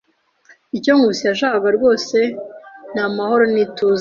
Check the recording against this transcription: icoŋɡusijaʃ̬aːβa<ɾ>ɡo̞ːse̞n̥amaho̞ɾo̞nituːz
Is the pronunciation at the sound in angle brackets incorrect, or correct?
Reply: correct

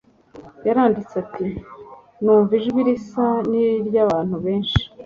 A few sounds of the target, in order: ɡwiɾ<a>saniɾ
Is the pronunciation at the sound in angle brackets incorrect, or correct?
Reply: incorrect: i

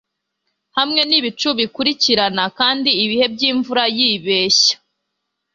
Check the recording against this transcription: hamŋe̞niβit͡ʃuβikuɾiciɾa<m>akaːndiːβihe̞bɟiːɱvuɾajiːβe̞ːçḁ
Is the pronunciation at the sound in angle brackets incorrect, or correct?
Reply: incorrect: n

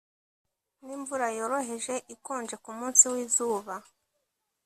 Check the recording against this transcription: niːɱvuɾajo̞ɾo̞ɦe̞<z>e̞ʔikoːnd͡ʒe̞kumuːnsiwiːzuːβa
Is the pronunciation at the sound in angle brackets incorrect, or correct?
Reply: incorrect: ʒ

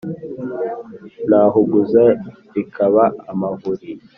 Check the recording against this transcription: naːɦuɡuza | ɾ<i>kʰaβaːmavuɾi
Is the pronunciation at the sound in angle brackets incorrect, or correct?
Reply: correct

